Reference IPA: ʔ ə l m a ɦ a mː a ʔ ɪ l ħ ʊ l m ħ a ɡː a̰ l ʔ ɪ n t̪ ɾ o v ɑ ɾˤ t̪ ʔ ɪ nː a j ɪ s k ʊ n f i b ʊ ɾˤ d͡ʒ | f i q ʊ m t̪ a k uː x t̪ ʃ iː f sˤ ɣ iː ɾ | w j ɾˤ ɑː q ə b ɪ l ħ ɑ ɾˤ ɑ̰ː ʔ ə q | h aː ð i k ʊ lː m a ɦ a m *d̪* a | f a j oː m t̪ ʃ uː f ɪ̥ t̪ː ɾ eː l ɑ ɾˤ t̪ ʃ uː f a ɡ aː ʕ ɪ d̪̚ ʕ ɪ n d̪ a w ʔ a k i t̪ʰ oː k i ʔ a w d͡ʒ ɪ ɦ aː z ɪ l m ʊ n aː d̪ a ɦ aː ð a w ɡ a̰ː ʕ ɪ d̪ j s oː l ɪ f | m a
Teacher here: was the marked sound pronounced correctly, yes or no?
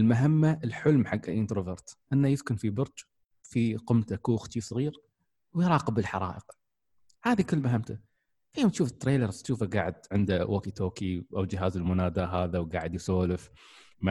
no